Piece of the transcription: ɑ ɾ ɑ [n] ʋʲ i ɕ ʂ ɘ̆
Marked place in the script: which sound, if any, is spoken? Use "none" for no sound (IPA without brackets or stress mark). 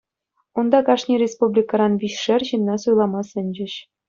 n